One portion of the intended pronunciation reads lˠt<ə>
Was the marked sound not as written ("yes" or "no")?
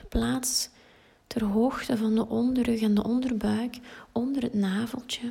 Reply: no